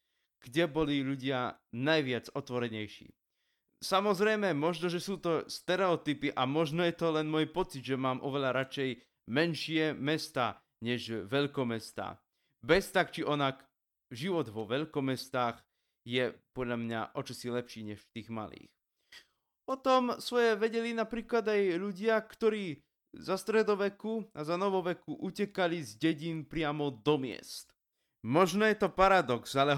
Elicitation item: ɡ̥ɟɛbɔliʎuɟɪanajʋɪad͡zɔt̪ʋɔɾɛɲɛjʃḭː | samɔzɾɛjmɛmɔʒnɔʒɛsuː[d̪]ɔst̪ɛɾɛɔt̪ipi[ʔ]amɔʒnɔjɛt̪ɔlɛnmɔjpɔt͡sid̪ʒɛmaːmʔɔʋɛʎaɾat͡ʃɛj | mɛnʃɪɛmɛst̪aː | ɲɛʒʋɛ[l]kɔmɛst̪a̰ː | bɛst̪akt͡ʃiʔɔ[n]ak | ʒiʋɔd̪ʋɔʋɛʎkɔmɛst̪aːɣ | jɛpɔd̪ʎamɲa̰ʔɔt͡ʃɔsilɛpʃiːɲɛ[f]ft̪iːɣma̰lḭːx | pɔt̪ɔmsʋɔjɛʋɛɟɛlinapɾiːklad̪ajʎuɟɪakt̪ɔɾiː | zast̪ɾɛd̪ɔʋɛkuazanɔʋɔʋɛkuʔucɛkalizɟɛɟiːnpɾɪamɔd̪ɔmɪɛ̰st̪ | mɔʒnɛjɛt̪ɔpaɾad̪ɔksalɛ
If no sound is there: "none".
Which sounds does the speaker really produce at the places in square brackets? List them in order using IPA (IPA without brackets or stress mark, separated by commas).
t̪, ʔ, ʎ, n, ʃ